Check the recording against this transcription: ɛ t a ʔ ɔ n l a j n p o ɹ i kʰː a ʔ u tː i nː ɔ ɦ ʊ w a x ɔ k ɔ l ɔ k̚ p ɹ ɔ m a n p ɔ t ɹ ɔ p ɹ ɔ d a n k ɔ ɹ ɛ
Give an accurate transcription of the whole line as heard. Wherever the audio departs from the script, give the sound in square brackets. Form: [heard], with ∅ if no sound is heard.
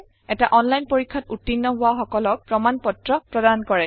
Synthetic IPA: ɛ t a ʔ ɔ n l a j n p o ɹ i kʰː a [t] u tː i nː ɔ ɦ ʊ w a x ɔ k ɔ l ɔ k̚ p ɹ ɔ m a n p ɔ t ɹ ɔ p ɹ ɔ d a n k ɔ ɹ ɛ